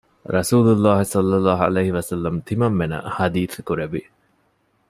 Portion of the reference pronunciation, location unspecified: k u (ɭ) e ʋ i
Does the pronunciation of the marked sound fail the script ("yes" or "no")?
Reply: yes